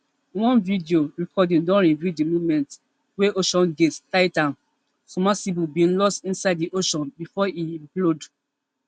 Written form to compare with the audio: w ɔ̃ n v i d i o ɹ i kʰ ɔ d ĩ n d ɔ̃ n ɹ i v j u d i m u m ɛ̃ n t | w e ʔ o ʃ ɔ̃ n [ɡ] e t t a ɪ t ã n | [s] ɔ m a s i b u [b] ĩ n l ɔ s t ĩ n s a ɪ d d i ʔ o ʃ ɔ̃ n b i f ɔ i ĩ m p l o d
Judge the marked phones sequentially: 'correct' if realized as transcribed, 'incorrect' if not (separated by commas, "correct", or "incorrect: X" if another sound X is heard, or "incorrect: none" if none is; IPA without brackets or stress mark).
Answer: correct, correct, correct